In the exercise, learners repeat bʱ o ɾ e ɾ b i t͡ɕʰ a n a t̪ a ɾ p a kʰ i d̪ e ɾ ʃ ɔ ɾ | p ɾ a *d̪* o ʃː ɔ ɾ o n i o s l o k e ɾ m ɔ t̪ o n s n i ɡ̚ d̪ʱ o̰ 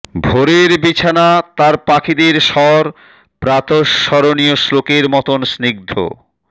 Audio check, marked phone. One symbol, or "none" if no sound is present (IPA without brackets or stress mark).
t̪